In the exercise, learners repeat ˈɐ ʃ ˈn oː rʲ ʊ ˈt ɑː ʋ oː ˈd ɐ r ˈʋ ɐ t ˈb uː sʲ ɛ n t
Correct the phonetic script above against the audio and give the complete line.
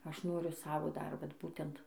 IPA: ˈɐ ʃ ˈn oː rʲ ʊ ˈs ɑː ʋ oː ˈd ɐ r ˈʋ ɐ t ˈb uː tʲ ɛ n t

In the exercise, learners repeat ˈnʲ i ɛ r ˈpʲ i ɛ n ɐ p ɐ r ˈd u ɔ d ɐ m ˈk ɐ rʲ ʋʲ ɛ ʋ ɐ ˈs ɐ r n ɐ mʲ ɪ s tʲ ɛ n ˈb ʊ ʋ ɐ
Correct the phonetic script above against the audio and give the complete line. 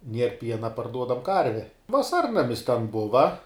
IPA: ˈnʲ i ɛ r ˈpʲ i ɛ n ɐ p ɐ r ˈd u ɔ d ɐ m ˈk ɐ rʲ ʋʲ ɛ ʋ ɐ ˈs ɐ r n ɐ mʲ ɪ s tʲ ɛ n ˈb ʊ ʋ ɐ

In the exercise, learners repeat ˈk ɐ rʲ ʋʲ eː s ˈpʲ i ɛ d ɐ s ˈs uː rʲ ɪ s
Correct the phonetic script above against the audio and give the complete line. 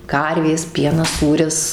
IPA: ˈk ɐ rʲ ʋʲ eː s ˈpʲ i ɛ n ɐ s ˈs uː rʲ ɪ s

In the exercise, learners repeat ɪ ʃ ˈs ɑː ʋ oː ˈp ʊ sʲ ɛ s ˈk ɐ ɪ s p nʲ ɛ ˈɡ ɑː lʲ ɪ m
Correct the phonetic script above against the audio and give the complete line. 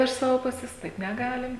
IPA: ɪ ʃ ˈs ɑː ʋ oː ˈp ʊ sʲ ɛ s ˈt ɐ ɪ p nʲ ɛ ˈɡ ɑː lʲ ɪ m

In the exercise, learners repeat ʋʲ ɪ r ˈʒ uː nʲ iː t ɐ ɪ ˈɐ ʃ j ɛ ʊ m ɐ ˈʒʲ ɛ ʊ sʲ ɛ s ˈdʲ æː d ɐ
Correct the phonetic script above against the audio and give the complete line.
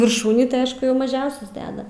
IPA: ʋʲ ɪ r ˈʃ uː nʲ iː t ɐ ɪ ˈɐ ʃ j ɛ ʊ m ɐ ˈʒʲ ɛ ʊ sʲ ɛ s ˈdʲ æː d ɐ

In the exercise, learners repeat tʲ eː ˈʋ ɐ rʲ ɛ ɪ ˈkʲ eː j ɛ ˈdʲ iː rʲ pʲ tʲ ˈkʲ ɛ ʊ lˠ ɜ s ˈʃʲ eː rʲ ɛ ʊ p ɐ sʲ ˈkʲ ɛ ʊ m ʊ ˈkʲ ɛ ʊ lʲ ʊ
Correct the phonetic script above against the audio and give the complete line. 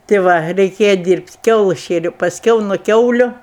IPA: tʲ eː ˈʋ ɐ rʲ ɛ ɪ ˈkʲ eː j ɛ ˈdʲ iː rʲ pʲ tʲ ˈkʲ ɛ ʊ lˠ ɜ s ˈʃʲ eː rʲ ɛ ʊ p ɐ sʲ ˈkʲ ɛ ʊ n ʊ ˈkʲ ɛ ʊ lʲ ʊ

